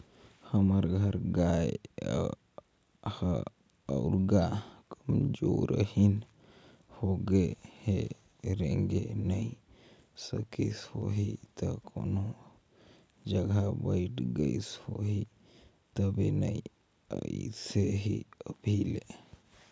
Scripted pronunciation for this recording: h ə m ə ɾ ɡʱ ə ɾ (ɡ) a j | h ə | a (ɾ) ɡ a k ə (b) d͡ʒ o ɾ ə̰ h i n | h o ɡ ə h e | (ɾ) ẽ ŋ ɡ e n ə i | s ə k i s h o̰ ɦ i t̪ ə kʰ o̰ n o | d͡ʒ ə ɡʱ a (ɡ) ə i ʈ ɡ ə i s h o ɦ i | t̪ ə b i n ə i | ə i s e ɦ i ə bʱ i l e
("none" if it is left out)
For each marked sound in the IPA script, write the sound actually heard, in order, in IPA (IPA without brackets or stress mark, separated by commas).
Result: ɡ, ɾ, m, ɾ, b